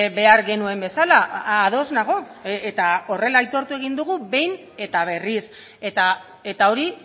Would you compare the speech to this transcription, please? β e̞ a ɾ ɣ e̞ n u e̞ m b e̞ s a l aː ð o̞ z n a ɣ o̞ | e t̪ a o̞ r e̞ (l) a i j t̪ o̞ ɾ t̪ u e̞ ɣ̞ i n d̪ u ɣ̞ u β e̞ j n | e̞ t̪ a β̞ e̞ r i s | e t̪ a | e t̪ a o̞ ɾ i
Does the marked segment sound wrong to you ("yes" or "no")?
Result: no